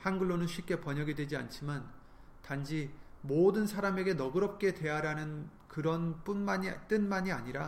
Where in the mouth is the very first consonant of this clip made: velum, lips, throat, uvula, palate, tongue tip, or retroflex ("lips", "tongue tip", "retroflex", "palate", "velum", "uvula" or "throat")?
throat